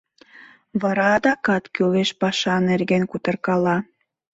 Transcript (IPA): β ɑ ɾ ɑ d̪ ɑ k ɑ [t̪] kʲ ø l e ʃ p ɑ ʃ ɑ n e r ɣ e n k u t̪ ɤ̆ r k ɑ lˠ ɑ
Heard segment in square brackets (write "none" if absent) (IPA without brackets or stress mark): t̪